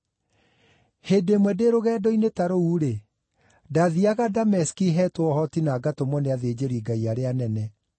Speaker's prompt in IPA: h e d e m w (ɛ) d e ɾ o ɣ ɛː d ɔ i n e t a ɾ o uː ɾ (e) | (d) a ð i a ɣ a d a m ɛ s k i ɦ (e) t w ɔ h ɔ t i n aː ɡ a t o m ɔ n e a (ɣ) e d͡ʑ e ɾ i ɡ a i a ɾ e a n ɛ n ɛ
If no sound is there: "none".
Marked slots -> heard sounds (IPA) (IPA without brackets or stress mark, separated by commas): ɛ, e, d, ɛ, ð